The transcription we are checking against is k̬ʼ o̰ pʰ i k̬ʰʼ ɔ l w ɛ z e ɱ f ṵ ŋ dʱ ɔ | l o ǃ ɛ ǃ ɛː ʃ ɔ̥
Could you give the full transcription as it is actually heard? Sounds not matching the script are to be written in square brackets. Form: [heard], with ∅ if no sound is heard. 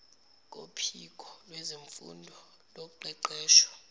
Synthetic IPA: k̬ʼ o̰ pʰ i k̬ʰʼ ɔ l w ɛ z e ɱ f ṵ [n] dʱ ɔ | l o ǃ ɛ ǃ ɛː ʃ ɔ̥